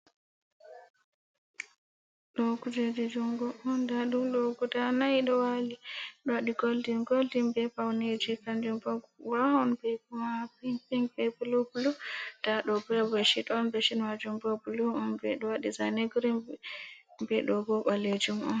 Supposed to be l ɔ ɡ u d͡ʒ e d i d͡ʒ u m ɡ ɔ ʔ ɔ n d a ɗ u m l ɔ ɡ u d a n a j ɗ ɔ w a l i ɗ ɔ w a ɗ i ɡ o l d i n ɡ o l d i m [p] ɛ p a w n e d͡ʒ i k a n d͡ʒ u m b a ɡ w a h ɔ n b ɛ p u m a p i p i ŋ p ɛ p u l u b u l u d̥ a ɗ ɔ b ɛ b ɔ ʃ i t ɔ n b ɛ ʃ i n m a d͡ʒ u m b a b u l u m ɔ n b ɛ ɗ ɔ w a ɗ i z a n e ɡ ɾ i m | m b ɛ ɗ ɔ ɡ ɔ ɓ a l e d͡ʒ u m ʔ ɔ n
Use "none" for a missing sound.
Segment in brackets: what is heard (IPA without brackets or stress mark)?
b